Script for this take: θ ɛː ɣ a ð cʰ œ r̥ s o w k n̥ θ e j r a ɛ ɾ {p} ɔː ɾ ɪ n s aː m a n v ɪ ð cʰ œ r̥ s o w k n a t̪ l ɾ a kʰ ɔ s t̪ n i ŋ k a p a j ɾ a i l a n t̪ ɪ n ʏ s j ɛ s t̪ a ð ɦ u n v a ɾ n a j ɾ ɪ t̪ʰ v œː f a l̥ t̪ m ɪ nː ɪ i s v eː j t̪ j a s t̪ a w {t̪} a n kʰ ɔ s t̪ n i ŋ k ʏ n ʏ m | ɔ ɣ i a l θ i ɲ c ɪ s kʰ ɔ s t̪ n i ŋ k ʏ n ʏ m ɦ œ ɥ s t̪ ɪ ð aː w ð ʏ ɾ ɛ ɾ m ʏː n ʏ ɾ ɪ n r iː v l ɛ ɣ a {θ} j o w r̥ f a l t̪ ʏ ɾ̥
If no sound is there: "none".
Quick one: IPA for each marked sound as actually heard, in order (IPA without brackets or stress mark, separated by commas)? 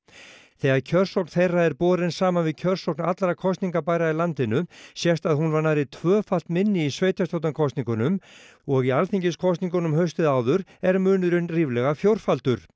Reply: p, t̪, f